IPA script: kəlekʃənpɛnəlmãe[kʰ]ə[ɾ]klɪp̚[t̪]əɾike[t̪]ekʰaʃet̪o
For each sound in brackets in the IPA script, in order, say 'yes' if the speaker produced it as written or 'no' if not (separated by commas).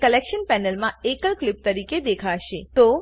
no, no, yes, no